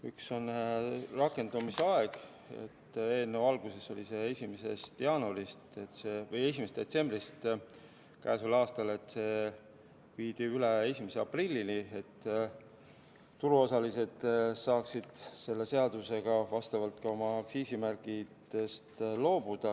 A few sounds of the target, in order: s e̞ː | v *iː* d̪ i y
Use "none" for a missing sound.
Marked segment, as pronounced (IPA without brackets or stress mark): iː